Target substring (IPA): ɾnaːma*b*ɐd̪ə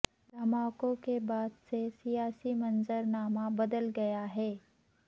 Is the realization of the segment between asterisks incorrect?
no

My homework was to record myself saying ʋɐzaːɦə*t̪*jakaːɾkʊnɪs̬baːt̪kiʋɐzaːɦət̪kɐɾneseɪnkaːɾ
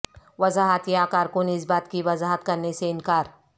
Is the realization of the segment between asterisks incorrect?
no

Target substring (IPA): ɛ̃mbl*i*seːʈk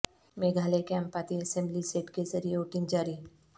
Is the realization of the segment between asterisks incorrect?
no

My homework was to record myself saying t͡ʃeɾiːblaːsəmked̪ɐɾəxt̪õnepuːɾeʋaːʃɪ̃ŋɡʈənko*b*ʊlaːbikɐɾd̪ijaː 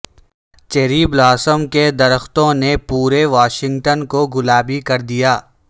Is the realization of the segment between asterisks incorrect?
yes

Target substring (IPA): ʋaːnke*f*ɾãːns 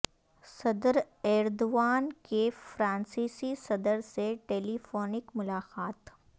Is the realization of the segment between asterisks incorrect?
no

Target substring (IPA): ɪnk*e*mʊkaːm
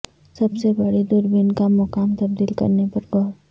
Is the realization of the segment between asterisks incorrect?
yes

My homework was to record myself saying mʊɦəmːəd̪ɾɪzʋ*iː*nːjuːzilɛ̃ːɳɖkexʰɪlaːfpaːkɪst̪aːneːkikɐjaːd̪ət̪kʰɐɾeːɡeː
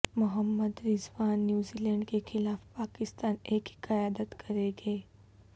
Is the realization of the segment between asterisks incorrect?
yes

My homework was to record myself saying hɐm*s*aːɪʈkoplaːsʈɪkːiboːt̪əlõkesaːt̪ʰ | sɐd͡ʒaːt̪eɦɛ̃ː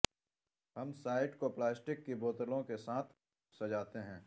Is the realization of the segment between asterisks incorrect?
no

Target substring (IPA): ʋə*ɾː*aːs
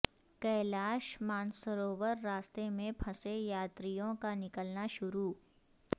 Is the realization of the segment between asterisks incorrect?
no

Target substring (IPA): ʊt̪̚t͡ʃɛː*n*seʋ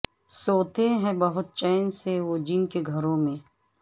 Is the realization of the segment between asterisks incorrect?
no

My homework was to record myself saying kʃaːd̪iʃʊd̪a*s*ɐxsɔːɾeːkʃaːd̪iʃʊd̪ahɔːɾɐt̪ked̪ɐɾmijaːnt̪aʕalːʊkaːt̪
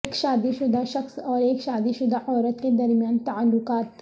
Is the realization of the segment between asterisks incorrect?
yes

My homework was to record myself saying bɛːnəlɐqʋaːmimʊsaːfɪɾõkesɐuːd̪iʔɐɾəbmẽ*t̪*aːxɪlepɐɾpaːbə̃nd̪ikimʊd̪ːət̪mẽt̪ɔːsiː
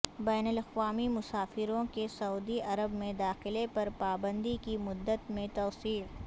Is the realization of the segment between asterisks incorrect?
yes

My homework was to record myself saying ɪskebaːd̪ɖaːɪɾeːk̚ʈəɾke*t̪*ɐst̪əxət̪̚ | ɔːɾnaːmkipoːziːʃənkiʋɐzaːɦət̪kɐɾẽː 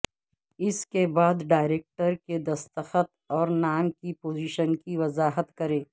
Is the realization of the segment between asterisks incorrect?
yes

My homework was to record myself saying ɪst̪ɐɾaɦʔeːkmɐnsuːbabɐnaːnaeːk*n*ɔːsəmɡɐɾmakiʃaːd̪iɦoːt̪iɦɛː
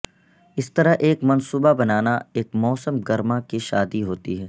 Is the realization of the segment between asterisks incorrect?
yes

